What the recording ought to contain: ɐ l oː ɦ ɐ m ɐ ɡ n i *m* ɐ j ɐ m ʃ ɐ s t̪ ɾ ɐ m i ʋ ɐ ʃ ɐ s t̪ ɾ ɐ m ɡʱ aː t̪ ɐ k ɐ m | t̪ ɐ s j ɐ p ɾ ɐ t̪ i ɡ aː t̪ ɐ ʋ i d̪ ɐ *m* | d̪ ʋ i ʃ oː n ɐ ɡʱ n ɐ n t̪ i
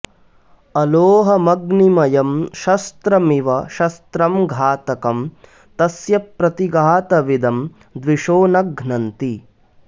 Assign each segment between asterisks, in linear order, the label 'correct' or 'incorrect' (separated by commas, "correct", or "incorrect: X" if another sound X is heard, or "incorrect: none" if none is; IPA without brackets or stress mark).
correct, correct